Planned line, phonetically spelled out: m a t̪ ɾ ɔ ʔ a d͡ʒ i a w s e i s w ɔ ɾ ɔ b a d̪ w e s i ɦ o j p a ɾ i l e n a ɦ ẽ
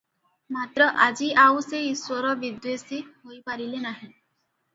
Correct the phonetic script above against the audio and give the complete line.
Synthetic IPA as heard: m a t̪ ɾ ɔ ʔ a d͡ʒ i a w s e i s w ɔ ɾ ɔ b i d̪ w e s i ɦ o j p a ɾ i l e n a ɦ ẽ